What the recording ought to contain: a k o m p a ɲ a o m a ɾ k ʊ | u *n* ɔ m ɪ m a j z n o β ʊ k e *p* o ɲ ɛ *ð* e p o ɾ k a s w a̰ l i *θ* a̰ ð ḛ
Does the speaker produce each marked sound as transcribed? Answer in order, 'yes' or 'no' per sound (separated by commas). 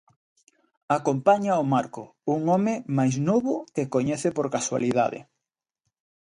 no, no, no, no